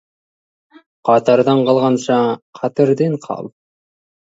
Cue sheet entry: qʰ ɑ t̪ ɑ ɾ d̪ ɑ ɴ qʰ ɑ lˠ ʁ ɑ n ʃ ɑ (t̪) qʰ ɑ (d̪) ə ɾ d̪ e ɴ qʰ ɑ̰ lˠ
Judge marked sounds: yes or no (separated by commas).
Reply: no, no